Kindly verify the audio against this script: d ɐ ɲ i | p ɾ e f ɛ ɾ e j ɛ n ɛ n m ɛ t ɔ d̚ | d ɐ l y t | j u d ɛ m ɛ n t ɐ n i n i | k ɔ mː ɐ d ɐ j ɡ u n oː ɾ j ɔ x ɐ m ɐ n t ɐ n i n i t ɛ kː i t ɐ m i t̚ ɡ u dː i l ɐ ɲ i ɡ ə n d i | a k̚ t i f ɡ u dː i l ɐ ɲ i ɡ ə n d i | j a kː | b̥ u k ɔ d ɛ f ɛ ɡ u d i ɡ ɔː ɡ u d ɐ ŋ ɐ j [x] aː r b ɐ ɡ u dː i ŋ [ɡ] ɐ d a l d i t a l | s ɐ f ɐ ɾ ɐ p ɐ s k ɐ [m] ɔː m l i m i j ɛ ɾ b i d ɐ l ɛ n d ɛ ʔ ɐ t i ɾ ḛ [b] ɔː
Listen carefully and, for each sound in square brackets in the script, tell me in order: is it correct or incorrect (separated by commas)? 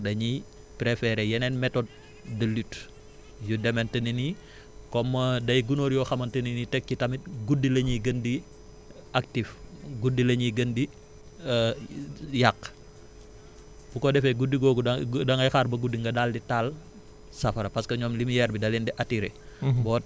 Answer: correct, correct, incorrect, correct